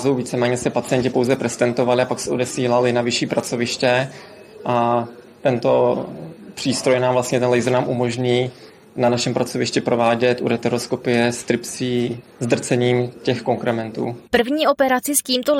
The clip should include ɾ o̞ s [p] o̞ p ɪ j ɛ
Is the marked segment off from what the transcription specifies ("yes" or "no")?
yes